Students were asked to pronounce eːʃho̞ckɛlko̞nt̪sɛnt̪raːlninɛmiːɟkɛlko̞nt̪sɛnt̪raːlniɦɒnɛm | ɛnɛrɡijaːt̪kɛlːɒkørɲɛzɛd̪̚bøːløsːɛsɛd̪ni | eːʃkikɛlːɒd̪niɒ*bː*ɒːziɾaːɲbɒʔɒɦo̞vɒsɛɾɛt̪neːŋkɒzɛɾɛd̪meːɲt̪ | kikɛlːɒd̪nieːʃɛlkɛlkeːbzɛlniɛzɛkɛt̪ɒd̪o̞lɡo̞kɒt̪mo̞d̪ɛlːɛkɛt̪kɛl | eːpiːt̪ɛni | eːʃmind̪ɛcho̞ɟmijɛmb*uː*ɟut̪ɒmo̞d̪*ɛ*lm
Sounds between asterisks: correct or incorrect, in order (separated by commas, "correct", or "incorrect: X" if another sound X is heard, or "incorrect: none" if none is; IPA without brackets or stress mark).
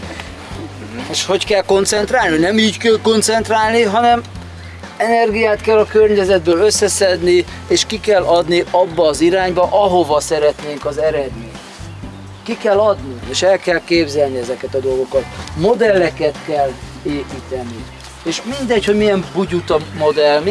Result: correct, incorrect: u, correct